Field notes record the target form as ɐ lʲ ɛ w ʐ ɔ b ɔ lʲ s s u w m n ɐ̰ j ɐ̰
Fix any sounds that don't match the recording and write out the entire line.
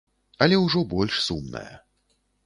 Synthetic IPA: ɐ lʲ ɛ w ʐ ɔ b ɔ lʲ ʂ s u m n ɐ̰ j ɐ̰